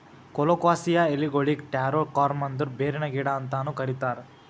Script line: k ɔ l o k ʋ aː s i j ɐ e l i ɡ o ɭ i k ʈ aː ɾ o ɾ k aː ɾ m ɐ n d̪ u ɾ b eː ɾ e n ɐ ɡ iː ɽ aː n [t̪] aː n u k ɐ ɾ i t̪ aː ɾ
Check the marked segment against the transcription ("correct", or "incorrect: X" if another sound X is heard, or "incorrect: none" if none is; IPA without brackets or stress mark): correct